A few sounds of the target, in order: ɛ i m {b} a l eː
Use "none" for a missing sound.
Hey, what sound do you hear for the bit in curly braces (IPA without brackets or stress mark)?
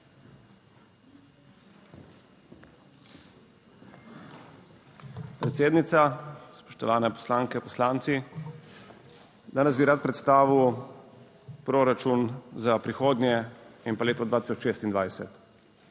p